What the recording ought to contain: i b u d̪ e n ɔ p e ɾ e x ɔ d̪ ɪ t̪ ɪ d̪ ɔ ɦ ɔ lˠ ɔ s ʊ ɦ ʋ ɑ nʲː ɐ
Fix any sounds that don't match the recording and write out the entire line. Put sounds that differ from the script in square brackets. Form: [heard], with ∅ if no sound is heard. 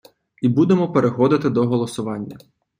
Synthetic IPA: i b u d̪ e [m] ɔ p e ɾ e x ɔ d̪ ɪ t̪ ɪ d̪ ɔ ɦ ɔ lˠ ɔ s ʊ [∅] ʋ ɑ nʲː ɐ